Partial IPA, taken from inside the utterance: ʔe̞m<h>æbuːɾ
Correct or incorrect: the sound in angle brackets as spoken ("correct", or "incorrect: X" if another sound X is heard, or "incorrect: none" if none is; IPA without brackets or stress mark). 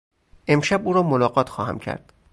incorrect: ʃ